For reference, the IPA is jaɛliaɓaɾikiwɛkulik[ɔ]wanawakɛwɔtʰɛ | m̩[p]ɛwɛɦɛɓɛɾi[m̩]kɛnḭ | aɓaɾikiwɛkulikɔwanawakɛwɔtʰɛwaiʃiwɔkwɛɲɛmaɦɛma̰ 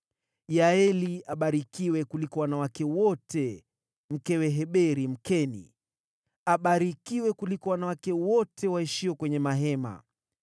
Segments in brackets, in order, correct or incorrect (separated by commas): correct, incorrect, correct